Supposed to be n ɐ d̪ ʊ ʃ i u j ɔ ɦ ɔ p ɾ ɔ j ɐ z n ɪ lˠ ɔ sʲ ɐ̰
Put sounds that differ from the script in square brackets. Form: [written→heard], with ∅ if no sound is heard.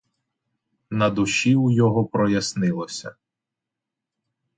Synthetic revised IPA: n ɐ d̪ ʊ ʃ i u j ɔ ɦ ɔ p ɾ ɔ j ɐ [z→s] n ɪ lˠ ɔ sʲ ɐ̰